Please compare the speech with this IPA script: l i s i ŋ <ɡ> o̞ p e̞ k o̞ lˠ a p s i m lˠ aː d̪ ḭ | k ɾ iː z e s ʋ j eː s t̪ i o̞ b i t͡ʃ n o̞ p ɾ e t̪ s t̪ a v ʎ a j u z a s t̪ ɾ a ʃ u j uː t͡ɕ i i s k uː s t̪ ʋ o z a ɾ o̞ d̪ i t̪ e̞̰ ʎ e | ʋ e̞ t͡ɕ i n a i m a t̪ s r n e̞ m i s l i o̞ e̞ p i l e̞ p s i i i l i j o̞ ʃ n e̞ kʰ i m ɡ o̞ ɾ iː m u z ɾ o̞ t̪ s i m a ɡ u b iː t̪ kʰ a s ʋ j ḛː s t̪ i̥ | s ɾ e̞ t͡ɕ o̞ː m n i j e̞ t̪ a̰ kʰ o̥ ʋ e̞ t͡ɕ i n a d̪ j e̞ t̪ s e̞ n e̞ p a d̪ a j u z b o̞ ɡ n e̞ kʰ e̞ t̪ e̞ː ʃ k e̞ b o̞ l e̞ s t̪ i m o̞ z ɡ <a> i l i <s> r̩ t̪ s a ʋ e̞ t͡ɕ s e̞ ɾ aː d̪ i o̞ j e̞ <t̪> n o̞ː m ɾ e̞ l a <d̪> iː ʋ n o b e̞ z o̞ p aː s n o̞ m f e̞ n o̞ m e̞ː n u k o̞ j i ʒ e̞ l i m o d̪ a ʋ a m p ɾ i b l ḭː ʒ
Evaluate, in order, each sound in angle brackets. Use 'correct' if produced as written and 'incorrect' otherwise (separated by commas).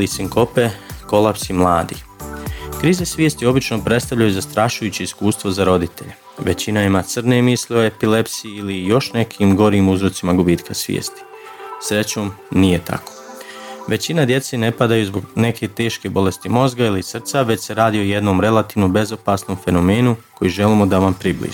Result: incorrect, correct, correct, incorrect, incorrect